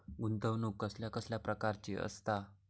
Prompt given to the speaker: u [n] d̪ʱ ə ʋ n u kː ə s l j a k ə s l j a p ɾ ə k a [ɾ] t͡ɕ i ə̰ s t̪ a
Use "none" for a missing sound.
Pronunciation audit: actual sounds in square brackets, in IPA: n, ɾ

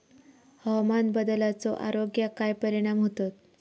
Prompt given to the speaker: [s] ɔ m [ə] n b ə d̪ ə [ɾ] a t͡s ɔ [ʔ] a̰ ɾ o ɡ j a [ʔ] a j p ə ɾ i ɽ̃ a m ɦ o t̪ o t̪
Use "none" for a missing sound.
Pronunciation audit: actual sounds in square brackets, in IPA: h, a, l, ʔ, k

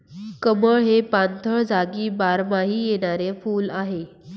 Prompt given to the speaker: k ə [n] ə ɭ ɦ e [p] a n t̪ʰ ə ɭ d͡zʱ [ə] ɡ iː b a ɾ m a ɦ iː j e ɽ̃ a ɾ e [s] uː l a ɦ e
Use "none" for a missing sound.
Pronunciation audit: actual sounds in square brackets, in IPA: m, p, a, f

